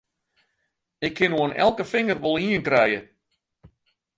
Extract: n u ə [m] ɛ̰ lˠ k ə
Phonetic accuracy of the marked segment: incorrect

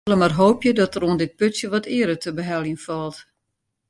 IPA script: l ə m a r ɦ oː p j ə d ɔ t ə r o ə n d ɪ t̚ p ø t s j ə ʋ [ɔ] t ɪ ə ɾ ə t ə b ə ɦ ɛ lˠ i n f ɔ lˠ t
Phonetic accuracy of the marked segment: correct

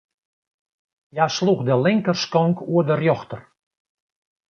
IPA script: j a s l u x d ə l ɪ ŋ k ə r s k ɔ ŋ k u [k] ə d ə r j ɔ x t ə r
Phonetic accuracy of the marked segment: incorrect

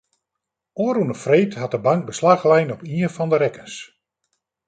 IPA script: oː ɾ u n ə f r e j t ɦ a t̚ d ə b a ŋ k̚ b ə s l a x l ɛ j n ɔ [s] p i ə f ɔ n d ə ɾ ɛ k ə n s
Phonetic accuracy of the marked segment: incorrect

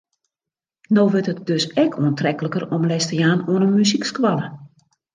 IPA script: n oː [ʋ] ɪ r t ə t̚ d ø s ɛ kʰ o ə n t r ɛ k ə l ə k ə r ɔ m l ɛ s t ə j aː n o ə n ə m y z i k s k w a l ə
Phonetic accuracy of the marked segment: correct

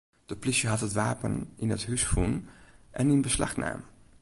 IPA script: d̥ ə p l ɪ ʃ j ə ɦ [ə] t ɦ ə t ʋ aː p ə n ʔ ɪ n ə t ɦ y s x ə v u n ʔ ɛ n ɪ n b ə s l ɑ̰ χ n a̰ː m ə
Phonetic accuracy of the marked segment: incorrect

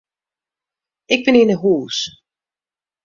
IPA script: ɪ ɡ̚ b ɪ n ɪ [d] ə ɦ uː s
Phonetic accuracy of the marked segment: incorrect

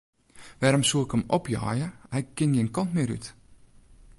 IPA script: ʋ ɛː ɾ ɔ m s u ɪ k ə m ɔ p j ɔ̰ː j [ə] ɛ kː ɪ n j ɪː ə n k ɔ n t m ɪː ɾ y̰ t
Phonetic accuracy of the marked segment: correct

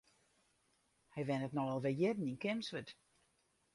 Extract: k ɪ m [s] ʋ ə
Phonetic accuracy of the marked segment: correct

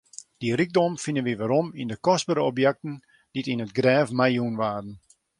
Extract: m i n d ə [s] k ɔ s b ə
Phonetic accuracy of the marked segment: incorrect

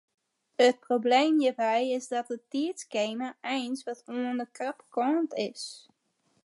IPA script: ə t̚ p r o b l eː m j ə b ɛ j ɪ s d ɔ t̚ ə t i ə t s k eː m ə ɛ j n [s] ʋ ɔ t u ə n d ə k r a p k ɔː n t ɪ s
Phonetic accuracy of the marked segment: correct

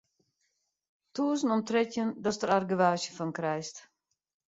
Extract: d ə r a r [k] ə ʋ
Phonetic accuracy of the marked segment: incorrect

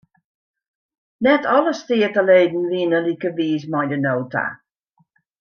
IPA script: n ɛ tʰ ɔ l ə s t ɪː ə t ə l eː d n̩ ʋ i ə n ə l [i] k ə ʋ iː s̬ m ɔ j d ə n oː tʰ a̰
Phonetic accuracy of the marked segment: correct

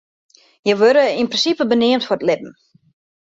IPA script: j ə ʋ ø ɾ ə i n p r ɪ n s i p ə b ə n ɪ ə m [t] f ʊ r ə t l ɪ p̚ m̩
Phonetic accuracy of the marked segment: correct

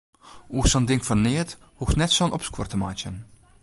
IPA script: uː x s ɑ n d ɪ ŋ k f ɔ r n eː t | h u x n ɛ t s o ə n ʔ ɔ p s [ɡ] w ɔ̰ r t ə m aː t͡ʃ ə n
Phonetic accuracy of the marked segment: incorrect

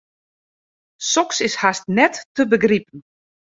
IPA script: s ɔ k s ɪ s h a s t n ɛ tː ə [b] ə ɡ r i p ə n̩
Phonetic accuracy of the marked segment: correct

